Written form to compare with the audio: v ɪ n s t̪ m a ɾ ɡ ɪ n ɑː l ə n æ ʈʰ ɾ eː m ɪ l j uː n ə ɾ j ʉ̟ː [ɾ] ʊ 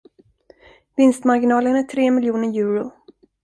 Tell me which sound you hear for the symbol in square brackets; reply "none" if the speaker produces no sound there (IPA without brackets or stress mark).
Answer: ɾ